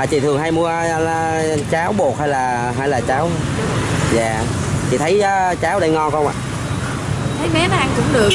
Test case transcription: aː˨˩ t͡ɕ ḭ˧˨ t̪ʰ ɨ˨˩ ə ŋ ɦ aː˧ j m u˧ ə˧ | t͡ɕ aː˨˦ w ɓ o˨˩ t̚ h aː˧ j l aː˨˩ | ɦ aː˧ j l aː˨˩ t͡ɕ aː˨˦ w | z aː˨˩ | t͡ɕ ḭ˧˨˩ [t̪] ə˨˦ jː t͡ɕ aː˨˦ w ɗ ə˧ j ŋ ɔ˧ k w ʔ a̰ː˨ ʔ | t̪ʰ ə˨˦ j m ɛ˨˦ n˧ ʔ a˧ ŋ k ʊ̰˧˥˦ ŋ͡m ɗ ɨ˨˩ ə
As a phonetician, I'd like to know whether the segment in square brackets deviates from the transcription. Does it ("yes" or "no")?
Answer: yes